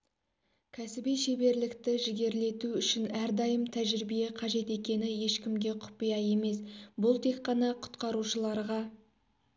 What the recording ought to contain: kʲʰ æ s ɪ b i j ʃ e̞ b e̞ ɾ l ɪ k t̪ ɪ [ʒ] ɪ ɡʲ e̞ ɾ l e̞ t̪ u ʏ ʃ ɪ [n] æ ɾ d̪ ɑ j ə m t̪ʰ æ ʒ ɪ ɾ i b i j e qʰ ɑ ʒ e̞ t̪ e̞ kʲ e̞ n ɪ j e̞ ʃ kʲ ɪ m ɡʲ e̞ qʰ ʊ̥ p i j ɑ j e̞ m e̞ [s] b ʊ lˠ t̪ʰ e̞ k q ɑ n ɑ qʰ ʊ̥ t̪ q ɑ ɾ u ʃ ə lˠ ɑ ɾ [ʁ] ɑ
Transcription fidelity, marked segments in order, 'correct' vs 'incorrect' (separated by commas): correct, correct, correct, correct